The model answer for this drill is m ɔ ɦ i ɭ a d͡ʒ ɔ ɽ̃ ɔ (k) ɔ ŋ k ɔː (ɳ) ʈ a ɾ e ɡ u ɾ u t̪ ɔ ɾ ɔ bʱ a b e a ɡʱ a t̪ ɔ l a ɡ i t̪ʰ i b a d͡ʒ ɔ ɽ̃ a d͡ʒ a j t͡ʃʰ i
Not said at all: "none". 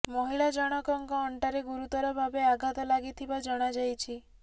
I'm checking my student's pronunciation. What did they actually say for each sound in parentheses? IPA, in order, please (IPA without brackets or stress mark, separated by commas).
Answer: k, ɳ